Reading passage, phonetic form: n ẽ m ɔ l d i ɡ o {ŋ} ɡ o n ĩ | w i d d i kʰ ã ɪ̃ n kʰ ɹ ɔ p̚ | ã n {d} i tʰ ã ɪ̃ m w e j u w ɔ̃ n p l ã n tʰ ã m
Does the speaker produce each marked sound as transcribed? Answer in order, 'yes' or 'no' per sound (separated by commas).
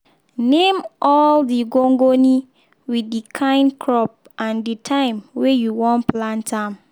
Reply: yes, yes